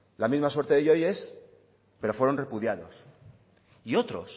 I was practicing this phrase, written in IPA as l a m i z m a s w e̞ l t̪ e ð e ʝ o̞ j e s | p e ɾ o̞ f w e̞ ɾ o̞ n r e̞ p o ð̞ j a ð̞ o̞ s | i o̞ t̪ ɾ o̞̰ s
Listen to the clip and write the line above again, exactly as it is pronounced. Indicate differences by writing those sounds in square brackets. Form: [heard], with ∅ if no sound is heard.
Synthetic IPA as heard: l a m i z m a s w e̞ [ɾ] t̪ e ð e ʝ o̞ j e s | p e ɾ o̞ f w e̞ ɾ o̞ n r e̞ p [u] ð̞ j a ð̞ o̞ s | i o̞ t̪ ɾ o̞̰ s